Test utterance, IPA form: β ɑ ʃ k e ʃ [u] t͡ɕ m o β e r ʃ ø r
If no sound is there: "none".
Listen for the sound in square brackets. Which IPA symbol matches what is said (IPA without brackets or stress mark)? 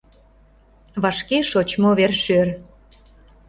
o